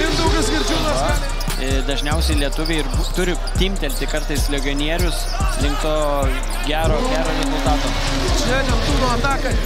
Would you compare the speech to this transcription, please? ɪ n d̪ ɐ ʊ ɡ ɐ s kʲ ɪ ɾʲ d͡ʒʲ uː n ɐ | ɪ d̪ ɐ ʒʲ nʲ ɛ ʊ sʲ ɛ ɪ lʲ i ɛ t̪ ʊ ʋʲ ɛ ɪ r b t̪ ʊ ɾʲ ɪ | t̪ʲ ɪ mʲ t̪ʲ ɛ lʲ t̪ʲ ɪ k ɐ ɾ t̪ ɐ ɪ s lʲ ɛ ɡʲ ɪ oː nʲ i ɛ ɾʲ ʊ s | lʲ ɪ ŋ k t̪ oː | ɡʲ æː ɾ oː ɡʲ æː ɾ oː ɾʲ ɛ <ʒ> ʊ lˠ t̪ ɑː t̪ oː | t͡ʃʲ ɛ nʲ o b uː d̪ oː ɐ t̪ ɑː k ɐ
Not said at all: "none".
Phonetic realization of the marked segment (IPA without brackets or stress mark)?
z